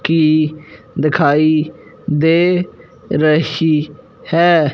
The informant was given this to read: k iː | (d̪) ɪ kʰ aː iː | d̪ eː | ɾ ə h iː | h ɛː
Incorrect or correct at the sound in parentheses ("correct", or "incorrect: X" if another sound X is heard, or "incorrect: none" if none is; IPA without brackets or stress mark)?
correct